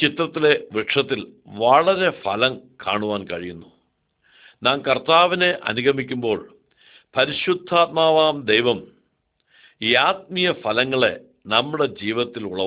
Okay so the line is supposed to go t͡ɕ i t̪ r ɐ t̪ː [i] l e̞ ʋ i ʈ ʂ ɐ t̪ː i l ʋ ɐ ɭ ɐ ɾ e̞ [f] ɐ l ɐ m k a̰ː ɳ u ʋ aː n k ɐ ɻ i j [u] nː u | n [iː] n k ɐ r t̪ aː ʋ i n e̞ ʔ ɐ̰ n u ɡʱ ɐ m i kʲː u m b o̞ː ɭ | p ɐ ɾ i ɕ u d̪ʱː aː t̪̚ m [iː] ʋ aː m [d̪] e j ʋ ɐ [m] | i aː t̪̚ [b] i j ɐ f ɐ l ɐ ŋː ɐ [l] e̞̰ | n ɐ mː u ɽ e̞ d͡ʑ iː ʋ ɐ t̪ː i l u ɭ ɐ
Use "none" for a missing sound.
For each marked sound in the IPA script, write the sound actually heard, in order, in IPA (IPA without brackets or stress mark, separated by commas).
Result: i, f, u, aː, aː, d̪, m, m, ɭ